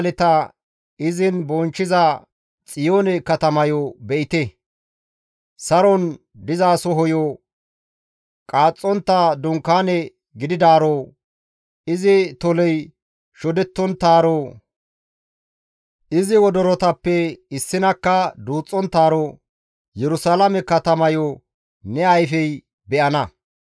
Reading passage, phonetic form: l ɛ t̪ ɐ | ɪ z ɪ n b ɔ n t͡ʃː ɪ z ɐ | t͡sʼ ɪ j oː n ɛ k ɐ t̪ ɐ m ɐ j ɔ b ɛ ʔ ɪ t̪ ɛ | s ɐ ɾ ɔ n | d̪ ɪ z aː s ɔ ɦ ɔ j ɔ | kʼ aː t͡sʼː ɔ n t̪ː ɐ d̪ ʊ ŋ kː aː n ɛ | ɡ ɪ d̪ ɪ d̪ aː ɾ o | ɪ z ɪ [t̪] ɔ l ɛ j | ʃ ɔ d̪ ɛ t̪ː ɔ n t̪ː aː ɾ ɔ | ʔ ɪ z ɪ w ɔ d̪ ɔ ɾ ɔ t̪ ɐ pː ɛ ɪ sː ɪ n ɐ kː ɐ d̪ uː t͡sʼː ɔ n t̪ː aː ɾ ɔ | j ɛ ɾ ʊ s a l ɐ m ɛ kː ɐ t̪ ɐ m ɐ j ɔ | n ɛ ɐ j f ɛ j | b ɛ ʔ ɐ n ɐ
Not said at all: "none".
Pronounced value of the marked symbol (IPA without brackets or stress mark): t̪